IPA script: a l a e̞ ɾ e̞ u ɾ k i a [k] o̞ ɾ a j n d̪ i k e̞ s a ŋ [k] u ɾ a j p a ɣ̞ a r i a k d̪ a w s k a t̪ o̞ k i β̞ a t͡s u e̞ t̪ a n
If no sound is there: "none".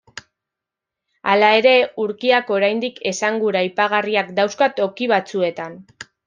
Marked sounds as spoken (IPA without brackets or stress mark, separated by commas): k, ɡ